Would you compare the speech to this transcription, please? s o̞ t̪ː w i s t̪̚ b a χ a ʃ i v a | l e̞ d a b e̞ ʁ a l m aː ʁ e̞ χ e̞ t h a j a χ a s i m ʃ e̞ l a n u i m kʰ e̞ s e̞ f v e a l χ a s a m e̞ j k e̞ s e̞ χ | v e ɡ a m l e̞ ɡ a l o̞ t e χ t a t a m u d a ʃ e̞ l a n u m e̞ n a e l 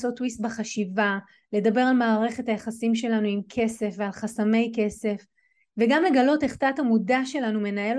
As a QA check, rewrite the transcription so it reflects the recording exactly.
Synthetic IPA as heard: s o̞ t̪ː w i s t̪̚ b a χ a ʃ i v a | l e̞ d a b e̞ ʁ a l m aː ʁ e̞ χ e̞ t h a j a χ a s i m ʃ e̞ l a n u i m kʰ e̞ s e̞ f v e a l χ a s a m e̞ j k e̞ s e̞ f | v e ɡ a m l e̞ ɡ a l o̞ t e χ t a t a m u d a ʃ e̞ l a n u m e̞ n a e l